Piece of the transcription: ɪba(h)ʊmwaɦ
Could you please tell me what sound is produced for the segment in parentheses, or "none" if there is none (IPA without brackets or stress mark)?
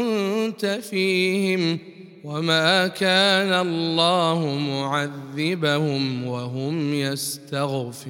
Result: h